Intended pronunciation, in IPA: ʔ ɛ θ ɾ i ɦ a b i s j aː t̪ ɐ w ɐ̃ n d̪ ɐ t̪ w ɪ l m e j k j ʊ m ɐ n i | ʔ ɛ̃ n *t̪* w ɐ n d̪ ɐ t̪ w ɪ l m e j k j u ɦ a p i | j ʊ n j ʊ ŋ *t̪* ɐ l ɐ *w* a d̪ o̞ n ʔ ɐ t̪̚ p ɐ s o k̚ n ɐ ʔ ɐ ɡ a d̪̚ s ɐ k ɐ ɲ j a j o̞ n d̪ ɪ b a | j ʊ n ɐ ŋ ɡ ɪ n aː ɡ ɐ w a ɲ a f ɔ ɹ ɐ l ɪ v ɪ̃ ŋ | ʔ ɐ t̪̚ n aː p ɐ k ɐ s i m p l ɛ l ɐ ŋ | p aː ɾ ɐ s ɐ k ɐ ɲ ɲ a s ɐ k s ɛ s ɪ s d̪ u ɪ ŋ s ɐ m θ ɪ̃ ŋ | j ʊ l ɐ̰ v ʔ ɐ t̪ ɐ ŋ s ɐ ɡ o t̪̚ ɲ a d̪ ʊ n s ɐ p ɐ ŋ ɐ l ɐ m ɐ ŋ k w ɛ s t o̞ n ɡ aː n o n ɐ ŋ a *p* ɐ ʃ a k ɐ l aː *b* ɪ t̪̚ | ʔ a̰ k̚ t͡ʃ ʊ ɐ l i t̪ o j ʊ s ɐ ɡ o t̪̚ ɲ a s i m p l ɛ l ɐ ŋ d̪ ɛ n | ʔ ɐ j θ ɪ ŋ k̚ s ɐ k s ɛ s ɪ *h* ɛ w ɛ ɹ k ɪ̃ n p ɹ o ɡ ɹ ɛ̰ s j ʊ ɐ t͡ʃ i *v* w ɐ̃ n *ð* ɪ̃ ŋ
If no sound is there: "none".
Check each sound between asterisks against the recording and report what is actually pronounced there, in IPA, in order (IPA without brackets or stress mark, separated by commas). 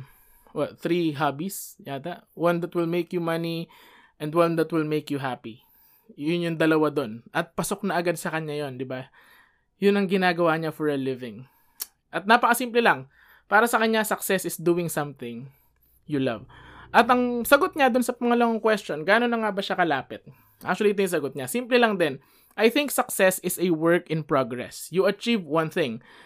d̪, d̪, w, b, p, s, v, θ